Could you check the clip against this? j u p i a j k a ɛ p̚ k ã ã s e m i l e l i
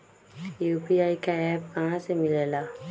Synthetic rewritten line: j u p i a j k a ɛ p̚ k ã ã s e m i l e l a